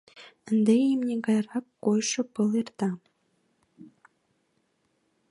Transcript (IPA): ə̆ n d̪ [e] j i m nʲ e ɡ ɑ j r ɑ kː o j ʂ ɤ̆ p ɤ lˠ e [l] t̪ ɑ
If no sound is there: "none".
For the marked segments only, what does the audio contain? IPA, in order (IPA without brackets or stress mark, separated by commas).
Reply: e, r